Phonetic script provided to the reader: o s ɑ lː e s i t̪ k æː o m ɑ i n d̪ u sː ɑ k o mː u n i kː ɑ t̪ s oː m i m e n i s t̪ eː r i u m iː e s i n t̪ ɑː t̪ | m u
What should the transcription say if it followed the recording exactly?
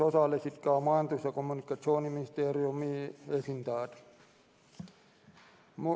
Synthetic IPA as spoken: o s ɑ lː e s i t̪ k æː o m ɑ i n t̪ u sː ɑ k o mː u n i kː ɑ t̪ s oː n i m i n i s t̪ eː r i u m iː e s i n t̪ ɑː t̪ | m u